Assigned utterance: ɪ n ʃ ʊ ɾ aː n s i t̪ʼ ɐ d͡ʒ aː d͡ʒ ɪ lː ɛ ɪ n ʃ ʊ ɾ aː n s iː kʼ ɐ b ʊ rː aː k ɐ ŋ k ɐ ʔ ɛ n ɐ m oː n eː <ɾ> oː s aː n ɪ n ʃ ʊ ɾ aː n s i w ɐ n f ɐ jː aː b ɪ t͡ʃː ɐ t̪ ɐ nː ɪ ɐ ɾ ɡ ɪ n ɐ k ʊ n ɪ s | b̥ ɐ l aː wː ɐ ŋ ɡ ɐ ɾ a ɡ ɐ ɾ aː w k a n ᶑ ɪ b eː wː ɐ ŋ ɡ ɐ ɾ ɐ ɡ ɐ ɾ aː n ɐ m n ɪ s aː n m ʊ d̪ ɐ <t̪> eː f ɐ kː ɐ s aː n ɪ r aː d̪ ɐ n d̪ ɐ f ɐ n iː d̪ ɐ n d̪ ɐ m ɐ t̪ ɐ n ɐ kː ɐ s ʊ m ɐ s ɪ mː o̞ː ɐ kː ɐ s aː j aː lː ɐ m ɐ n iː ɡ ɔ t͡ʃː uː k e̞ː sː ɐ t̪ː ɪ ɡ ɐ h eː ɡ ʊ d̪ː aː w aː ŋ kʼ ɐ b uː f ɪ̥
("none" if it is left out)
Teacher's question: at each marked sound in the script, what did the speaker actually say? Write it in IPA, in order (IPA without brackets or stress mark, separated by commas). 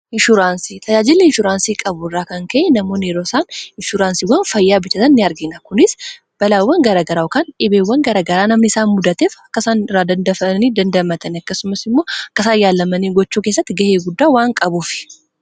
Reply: ɾ, t̪